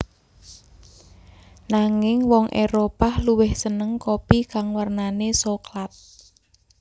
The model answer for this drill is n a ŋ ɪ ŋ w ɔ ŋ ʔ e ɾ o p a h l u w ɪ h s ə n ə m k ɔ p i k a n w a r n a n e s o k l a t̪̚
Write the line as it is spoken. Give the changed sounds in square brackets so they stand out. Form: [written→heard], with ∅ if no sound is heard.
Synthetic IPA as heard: n a ŋ ɪ ŋ w ɔ ŋ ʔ e ɾ o p a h l u w ɪ h s ə n ə [m→ŋ] k [ɔ→o] p i k a [n→ŋ] w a r n a n e s o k l a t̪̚